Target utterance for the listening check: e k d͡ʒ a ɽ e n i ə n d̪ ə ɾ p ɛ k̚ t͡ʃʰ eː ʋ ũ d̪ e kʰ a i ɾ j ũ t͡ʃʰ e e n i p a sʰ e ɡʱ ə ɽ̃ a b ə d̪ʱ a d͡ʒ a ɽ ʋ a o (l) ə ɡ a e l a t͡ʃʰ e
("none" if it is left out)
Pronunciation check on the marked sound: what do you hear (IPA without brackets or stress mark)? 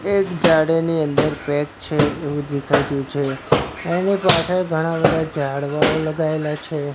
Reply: l